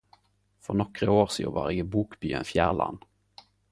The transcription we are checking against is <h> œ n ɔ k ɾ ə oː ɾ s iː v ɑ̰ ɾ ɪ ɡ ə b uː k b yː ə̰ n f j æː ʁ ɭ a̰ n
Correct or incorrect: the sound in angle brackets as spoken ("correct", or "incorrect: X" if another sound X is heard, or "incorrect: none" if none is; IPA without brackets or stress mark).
incorrect: f